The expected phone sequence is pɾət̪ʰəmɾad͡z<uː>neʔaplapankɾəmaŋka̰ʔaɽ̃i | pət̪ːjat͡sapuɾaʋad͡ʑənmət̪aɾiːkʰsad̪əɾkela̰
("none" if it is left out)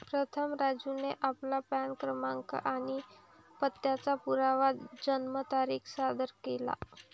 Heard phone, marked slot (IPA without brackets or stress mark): u